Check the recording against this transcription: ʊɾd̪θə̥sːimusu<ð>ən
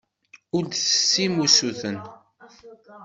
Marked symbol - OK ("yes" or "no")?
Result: no